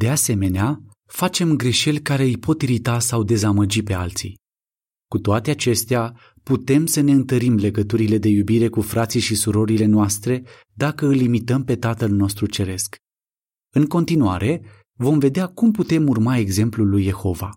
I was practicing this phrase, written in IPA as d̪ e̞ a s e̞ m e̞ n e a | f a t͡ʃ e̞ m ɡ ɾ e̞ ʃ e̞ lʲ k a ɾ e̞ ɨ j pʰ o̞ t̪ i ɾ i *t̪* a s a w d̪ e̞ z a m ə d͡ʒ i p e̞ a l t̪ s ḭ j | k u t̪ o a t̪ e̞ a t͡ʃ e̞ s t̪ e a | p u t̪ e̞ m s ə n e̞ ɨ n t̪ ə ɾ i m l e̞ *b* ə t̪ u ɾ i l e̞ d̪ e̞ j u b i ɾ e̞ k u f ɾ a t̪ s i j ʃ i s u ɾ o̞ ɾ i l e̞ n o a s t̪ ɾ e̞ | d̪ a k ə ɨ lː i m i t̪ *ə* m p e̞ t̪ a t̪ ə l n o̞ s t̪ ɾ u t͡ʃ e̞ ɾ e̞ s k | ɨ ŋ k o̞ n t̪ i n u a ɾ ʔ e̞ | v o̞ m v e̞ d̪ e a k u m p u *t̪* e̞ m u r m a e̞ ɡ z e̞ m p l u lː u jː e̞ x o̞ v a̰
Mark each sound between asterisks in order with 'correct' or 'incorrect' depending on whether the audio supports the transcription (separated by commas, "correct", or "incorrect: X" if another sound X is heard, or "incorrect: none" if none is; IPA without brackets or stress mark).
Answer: correct, incorrect: ɡ, correct, correct